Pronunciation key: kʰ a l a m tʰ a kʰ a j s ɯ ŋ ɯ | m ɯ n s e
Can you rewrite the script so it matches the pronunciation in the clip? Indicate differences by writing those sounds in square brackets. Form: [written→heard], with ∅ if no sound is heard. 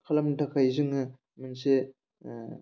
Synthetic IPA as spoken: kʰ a l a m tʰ a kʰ a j [s→z] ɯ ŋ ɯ | m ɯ n s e